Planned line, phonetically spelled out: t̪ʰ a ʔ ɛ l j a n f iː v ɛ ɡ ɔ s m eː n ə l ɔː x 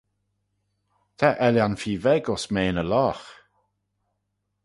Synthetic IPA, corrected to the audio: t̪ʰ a ʔ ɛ l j a n f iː v ɛ ɡ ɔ s m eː n ə l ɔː x